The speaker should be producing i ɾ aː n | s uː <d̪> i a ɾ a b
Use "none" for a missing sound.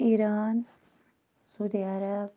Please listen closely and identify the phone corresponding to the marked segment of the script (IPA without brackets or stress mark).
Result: d̪